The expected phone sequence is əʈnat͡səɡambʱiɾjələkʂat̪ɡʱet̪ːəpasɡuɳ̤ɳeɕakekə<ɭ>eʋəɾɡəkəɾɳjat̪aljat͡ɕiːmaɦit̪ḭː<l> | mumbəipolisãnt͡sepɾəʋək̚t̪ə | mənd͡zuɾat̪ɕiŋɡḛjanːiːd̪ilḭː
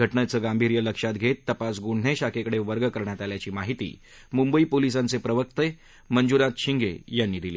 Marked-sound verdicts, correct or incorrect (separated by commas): incorrect, incorrect